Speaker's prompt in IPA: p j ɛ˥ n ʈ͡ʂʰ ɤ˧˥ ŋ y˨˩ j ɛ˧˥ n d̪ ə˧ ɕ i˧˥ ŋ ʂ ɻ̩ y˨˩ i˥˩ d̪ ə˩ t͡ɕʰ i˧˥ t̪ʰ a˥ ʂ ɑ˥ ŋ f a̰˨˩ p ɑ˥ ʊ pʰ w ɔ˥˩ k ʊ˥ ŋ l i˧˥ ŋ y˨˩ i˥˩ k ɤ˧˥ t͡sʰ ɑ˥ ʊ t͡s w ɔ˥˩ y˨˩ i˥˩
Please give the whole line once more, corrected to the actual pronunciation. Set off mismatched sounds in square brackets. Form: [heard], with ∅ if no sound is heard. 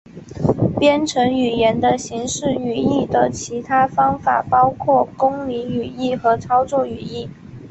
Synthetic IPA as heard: p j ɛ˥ n ʈ͡ʂʰ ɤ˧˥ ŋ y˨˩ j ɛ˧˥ n d̪ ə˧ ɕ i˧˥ ŋ ʂ ɻ̩ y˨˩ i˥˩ d̪ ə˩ t͡ɕʰ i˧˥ t̪ʰ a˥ [f] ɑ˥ ŋ f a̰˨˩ p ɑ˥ ʊ [kʰ] w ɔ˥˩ k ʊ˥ ŋ l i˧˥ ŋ y˨˩ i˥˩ [x] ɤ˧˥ t͡sʰ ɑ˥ ʊ t͡s w ɔ˥˩ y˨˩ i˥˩

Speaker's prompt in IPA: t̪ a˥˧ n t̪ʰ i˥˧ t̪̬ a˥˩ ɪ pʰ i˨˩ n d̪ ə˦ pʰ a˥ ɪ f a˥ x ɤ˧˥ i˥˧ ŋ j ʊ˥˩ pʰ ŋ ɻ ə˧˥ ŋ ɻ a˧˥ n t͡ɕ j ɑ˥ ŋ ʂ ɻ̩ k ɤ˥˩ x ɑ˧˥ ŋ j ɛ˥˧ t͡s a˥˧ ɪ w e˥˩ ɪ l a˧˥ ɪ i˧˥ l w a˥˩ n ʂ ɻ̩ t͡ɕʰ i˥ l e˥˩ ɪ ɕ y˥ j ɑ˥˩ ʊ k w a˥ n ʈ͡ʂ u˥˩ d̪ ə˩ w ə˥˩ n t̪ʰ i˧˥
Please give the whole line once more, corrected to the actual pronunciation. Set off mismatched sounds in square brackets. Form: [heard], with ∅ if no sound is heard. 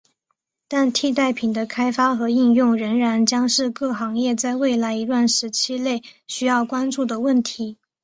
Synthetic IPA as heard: t̪ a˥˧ n t̪ʰ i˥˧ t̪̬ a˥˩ ɪ pʰ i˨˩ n d̪ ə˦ [kʰ] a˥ ɪ f a˥ x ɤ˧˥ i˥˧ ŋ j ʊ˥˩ [∅] ŋ ɻ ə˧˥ ŋ ɻ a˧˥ n t͡ɕ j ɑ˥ ŋ ʂ ɻ̩ k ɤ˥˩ x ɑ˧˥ ŋ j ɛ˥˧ t͡s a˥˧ ɪ w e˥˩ ɪ l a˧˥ ɪ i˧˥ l w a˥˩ n ʂ ɻ̩ t͡ɕʰ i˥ l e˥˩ ɪ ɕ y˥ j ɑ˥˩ ʊ k w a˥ n ʈ͡ʂ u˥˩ d̪ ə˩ w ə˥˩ n t̪ʰ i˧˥

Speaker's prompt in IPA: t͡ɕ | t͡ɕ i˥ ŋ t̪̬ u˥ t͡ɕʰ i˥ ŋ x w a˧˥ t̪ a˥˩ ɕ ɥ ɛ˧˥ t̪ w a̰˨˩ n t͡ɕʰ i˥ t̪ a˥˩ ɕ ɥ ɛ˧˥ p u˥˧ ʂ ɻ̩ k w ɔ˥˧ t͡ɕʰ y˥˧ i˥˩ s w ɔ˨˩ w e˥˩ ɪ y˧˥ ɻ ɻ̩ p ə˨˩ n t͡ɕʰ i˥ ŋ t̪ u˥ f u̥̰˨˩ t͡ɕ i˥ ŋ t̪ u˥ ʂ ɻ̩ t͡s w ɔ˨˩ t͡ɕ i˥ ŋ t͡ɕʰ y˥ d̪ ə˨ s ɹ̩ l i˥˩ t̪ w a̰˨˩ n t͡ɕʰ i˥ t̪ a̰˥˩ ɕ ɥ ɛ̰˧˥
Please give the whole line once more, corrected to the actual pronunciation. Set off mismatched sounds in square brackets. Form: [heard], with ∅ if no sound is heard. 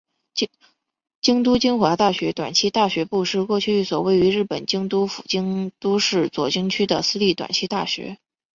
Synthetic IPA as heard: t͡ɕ | t͡ɕ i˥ ŋ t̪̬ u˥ [t͡ɕ] i˥ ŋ x w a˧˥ t̪ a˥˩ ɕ ɥ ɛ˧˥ t̪ w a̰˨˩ n t͡ɕʰ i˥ t̪ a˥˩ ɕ ɥ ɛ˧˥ p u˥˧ ʂ ɻ̩ k w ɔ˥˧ t͡ɕʰ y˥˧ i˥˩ s w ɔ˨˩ w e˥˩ ɪ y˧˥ ɻ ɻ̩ p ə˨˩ n [t͡ɕ] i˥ ŋ t̪ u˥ f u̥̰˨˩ t͡ɕ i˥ ŋ t̪ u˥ ʂ ɻ̩ t͡s w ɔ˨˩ t͡ɕ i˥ ŋ t͡ɕʰ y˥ d̪ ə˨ s ɹ̩ l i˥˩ t̪ w a̰˨˩ n t͡ɕʰ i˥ t̪ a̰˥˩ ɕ ɥ ɛ̰˧˥

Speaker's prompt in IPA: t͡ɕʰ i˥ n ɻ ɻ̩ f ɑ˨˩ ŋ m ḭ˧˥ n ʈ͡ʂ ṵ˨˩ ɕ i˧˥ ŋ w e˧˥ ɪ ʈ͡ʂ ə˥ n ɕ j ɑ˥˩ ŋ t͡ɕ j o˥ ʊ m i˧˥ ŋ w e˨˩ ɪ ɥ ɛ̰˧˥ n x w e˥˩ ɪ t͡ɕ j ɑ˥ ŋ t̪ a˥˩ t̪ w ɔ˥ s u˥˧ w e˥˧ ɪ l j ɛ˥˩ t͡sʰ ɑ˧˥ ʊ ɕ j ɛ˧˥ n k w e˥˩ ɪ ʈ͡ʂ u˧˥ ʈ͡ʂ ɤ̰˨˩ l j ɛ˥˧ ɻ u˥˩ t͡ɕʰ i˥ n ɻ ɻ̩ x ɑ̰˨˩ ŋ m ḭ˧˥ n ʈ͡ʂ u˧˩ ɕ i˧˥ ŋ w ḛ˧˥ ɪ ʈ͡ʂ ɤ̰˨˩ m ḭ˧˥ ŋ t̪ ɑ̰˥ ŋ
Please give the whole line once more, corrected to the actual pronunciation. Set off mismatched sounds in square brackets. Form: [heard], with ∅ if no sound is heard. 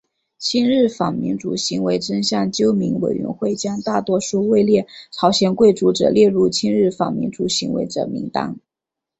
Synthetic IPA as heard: t͡ɕʰ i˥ n ɻ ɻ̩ f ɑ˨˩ ŋ m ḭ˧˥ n ʈ͡ʂ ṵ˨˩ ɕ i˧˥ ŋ w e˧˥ ɪ ʈ͡ʂ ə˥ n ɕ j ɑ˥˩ ŋ t͡ɕ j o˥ ʊ m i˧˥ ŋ w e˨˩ ɪ ɥ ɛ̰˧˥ n x w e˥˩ ɪ t͡ɕ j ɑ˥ ŋ t̪ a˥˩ t̪ w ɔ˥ [ʂ] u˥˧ w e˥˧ ɪ l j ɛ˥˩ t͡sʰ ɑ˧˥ ʊ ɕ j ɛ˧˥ n k w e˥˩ ɪ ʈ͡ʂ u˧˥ ʈ͡ʂ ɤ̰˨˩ l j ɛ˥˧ ɻ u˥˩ t͡ɕʰ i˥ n ɻ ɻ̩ [f] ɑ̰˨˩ ŋ m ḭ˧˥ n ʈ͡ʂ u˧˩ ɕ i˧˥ ŋ w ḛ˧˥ ɪ ʈ͡ʂ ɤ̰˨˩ m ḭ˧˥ ŋ t̪ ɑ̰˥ ŋ

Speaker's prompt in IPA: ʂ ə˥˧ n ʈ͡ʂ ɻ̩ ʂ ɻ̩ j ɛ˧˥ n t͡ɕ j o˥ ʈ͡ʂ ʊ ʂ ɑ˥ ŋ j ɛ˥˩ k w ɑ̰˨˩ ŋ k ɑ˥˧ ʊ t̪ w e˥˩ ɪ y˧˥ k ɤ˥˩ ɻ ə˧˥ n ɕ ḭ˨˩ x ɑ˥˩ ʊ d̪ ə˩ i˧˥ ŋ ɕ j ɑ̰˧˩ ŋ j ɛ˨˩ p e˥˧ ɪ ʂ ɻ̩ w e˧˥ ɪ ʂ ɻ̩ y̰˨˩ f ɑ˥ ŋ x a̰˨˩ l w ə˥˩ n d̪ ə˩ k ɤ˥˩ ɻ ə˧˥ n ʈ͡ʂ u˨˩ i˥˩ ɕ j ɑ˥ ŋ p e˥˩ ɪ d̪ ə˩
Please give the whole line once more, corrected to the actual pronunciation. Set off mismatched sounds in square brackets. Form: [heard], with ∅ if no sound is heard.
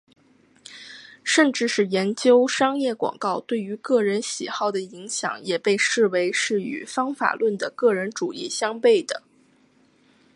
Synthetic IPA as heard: ʂ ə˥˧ n ʈ͡ʂ ɻ̩ ʂ ɻ̩ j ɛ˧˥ n t͡ɕ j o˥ [∅] ʊ ʂ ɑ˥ ŋ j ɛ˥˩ k w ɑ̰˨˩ ŋ k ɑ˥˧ ʊ t̪ w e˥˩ ɪ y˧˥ k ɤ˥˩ ɻ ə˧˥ n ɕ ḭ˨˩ x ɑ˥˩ ʊ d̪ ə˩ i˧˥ ŋ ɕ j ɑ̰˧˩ ŋ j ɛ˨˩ p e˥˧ ɪ ʂ ɻ̩ w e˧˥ ɪ ʂ ɻ̩ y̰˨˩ f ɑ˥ ŋ [f] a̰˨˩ l w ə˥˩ n d̪ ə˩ k ɤ˥˩ ɻ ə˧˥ n ʈ͡ʂ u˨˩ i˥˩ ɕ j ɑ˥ ŋ p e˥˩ ɪ d̪ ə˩

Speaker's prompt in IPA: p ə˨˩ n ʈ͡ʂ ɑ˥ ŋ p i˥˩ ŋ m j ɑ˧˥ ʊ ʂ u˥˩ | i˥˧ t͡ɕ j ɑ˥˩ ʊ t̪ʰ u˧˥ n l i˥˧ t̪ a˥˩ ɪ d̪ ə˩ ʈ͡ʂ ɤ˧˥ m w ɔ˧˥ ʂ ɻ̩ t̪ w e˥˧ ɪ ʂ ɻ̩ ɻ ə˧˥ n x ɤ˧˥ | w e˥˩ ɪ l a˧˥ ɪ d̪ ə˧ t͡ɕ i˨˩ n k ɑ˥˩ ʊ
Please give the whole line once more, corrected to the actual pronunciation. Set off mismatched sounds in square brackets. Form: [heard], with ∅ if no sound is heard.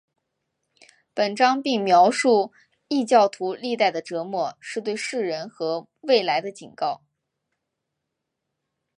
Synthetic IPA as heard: p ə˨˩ n ʈ͡ʂ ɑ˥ ŋ p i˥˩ ŋ m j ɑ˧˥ ʊ ʂ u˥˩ | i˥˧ t͡ɕ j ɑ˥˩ ʊ t̪ʰ u˧˥ [∅] l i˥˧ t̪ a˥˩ ɪ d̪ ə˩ ʈ͡ʂ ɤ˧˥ m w [ɔ˥˩] ʂ ɻ̩ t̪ w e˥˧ ɪ ʂ ɻ̩ ɻ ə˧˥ n x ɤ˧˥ | w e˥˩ ɪ l a˧˥ ɪ d̪ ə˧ t͡ɕ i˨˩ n k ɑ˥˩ ʊ

